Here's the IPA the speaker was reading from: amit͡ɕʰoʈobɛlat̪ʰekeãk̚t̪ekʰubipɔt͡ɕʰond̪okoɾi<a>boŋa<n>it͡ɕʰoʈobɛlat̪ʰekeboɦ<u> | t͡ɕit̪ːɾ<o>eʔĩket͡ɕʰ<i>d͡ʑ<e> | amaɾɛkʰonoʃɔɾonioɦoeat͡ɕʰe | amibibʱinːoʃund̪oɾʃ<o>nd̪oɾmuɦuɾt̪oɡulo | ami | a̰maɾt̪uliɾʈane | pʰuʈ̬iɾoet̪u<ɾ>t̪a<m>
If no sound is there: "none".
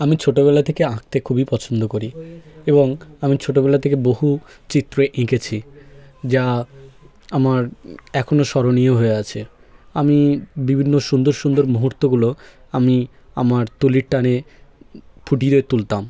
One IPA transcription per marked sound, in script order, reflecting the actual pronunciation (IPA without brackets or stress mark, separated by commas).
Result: e, m, u, o, i, a, u, l, m